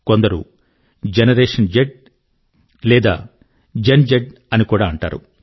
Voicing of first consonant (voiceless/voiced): voiceless